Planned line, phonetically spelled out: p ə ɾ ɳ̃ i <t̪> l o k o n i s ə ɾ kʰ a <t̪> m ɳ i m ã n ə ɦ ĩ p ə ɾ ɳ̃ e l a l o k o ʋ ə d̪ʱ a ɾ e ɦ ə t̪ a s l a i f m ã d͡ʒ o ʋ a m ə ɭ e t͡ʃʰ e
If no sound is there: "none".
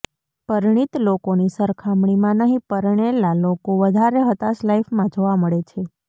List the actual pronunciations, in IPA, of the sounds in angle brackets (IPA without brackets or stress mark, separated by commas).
t̪, none